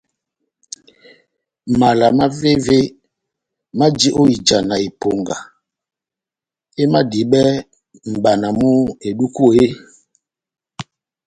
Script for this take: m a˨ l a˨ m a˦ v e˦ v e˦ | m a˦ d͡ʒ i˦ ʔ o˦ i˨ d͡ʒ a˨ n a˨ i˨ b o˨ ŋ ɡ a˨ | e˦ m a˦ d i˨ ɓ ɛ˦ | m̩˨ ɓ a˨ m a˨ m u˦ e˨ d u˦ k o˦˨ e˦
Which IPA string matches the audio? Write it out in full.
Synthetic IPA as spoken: m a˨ l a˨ m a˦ v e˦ v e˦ | m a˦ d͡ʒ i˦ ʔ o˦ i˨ d͡ʒ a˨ n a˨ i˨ p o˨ ŋ ɡ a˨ | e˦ m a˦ d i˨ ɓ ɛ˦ | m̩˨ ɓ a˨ n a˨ m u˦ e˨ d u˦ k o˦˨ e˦